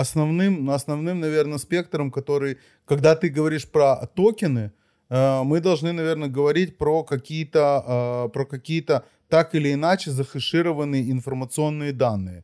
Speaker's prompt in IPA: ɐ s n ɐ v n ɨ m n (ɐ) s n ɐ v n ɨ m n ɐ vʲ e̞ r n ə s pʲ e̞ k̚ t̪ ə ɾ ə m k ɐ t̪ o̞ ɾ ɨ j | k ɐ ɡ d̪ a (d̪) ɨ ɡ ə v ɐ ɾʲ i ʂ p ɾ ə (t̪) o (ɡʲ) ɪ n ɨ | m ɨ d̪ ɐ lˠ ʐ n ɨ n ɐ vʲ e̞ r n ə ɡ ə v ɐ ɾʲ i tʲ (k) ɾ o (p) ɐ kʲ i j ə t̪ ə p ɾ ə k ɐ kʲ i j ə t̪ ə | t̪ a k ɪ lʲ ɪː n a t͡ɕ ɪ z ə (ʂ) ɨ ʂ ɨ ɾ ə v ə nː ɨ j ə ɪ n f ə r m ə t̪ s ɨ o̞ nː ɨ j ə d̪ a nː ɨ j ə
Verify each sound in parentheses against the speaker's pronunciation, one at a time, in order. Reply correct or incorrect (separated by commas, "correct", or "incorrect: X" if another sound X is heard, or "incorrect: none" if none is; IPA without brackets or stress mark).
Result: correct, incorrect: t̪, correct, incorrect: kʲ, incorrect: p, incorrect: k, incorrect: x